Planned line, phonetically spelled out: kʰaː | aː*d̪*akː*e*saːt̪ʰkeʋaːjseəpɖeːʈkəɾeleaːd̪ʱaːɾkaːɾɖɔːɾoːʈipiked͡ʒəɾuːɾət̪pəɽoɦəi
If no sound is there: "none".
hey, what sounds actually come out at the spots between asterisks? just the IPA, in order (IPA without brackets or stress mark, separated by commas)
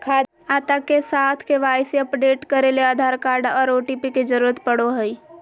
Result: t̪, e